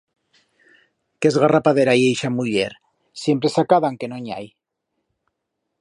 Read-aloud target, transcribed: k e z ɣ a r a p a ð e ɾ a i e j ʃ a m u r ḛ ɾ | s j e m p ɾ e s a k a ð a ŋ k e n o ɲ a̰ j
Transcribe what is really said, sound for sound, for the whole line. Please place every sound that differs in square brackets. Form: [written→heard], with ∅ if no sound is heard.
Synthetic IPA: k e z ɣ a r a p a ð e ɾ a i e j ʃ a m u [r→ʎ] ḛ ɾ | s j e m p ɾ e s a k a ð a ŋ k e n o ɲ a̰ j